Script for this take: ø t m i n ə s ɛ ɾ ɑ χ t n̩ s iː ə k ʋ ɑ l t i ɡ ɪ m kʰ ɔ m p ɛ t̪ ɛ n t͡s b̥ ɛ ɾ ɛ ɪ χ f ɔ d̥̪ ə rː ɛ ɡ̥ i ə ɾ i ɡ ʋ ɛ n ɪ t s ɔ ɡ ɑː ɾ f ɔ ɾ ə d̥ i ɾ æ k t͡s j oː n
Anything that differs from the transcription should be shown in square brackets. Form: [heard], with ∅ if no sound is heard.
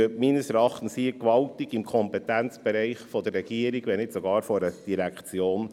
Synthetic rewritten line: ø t m i n ə s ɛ ɾ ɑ χ t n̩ s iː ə k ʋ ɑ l t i ɡ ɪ m kʰ ɔ m p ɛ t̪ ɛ n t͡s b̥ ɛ ɾ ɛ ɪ χ f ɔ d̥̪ ə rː ɛ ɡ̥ i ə ɾ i ɡ ʋ ɛ n ɪ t s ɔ ɡ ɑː ɾ f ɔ ɾ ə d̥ i ɾ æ k t͡s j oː n